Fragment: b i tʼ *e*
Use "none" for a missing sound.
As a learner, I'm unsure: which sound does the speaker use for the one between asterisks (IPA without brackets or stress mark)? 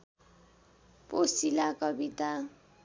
a